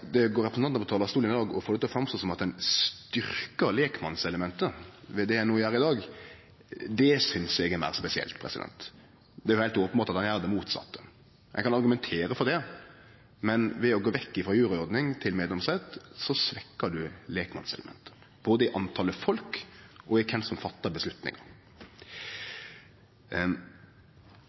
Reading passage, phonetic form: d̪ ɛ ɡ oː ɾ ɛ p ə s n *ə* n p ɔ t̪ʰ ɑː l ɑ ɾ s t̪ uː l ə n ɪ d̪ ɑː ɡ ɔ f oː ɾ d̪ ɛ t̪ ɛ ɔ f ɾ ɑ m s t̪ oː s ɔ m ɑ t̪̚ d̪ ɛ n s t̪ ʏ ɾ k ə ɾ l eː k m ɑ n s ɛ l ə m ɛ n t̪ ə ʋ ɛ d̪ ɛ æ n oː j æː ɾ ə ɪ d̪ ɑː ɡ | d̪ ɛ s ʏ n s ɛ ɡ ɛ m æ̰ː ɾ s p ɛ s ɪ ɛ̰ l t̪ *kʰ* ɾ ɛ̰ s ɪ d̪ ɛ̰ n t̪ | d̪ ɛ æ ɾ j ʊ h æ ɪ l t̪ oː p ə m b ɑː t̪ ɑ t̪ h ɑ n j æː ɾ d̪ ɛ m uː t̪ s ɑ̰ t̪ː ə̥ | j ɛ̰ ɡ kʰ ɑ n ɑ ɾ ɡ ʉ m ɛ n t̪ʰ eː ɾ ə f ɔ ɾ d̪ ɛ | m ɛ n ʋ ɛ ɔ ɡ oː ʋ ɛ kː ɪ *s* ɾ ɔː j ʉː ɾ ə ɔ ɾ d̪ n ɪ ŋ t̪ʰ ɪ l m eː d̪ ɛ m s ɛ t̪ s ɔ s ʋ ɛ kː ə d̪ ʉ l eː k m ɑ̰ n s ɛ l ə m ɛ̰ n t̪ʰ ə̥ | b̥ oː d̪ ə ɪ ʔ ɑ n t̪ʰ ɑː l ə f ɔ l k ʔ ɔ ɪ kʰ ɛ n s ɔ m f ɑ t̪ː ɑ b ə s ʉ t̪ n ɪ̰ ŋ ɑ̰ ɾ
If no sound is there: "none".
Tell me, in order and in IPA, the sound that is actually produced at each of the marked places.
ɑ, pʰ, f

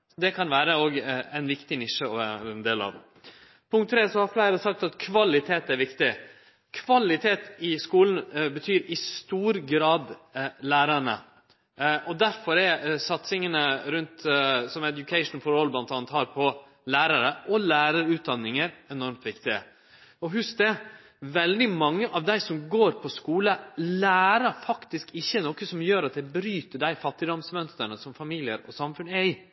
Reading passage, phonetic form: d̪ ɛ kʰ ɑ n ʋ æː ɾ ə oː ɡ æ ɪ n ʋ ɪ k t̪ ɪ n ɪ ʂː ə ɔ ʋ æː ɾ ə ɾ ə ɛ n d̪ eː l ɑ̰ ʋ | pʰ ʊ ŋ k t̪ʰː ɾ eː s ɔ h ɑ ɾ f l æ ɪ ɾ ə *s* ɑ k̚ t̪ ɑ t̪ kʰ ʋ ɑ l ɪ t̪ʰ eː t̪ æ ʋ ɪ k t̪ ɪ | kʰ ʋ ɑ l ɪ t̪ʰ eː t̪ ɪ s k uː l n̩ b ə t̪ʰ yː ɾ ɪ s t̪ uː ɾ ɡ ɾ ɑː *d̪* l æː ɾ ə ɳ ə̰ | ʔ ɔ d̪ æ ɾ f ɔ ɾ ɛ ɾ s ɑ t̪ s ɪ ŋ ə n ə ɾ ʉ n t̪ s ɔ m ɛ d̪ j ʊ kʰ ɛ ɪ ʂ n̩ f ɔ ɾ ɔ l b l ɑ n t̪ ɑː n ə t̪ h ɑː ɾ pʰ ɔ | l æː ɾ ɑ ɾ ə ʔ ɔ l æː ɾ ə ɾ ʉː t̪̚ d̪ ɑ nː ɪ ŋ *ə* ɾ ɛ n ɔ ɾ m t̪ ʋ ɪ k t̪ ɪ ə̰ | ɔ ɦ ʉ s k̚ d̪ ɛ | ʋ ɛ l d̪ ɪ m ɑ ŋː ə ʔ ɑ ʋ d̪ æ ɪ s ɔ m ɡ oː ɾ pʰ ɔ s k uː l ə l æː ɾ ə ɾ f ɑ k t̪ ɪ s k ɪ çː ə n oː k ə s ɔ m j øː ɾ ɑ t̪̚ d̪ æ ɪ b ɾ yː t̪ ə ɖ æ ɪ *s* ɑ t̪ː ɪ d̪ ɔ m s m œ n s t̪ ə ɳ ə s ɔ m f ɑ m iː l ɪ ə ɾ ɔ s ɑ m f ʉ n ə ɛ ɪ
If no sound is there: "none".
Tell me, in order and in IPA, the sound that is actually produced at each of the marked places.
s, d̪, ə, f

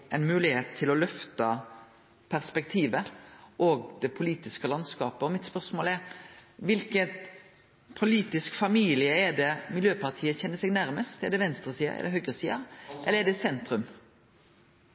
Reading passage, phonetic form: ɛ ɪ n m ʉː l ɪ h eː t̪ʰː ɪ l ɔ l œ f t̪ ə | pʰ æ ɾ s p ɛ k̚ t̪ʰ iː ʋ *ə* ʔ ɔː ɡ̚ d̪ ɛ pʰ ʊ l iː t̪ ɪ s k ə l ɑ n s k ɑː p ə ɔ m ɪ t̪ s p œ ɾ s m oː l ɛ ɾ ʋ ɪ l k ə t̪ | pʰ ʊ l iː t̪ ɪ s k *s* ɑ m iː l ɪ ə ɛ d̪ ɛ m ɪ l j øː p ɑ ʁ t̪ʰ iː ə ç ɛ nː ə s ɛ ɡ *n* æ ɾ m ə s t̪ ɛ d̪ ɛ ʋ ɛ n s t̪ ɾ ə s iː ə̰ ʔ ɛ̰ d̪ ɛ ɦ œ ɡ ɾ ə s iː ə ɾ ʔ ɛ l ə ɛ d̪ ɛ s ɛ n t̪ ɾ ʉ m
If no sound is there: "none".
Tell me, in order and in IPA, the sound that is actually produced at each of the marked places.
ə, f, n

